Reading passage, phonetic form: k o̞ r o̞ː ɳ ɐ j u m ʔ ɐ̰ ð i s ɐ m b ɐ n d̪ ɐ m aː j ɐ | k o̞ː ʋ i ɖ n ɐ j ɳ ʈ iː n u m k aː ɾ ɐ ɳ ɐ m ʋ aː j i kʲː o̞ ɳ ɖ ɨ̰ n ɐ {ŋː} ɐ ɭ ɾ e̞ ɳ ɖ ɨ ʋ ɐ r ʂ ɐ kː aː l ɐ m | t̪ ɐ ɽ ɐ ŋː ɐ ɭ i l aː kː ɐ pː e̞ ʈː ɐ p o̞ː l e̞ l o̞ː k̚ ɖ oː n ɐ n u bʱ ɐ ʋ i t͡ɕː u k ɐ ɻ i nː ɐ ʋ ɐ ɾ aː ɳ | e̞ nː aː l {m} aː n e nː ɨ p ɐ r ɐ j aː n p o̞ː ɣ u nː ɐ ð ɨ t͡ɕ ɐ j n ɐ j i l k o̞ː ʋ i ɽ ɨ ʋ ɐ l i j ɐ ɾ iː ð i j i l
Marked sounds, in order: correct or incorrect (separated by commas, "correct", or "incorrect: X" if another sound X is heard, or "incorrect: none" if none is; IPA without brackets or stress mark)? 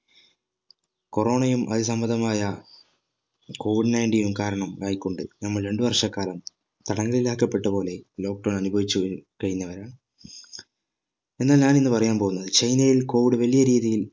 incorrect: mː, incorrect: ɲ